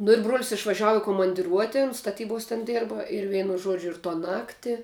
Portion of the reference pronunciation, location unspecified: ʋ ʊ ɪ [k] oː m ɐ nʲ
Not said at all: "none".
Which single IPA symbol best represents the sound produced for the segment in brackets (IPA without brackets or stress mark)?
k